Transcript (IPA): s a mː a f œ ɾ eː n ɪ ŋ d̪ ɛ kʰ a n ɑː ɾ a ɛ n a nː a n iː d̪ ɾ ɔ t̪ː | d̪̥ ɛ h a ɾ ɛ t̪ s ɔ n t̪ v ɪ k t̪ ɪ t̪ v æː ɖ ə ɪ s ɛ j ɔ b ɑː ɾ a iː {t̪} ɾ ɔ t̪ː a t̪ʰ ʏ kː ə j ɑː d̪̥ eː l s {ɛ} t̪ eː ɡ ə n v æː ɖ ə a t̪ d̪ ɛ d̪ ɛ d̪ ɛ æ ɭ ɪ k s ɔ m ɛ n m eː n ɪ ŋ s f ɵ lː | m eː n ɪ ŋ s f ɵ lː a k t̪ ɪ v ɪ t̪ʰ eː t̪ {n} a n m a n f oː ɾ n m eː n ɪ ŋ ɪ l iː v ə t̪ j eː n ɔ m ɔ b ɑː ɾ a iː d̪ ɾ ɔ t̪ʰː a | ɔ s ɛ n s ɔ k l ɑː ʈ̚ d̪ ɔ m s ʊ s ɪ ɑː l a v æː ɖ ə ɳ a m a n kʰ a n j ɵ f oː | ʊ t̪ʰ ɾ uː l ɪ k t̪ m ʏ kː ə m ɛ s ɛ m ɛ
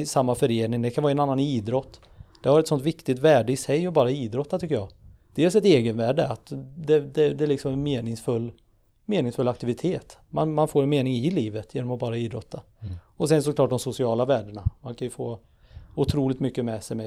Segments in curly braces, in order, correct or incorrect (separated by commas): incorrect, correct, incorrect